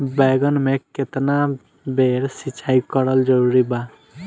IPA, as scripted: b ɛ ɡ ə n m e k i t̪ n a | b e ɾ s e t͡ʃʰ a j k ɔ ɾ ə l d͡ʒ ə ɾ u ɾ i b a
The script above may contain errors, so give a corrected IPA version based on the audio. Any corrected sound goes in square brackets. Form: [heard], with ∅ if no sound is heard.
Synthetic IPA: b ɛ ɡ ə n m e k [e] t̪ n a | b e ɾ s [i] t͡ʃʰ a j k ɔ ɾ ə l d͡ʒ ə ɾ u ɾ i b a